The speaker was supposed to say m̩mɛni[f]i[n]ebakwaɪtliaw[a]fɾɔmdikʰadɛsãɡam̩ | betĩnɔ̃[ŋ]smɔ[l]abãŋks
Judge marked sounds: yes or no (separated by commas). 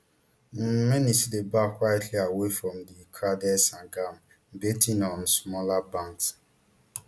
no, no, no, no, yes